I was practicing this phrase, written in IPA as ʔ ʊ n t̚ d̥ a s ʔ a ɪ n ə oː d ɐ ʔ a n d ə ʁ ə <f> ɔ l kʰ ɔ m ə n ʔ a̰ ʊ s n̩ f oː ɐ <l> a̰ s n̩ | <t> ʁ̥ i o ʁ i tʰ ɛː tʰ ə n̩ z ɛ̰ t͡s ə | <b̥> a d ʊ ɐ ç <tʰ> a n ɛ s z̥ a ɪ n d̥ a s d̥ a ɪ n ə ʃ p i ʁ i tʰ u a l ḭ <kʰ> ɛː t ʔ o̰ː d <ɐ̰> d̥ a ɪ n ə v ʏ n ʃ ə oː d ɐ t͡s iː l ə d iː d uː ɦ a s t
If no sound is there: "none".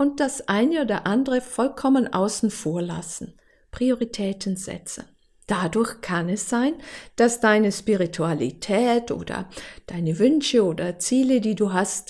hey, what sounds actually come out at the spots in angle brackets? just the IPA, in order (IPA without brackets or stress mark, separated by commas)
f, l, p, d̥, kʰ, tʰ, ɐ̰